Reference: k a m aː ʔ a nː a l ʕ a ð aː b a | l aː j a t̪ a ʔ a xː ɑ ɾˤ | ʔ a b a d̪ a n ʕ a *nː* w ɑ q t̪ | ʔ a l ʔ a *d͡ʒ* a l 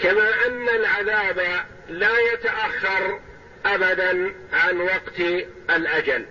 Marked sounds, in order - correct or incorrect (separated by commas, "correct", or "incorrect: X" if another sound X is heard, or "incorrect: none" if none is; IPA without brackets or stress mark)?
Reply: incorrect: n, correct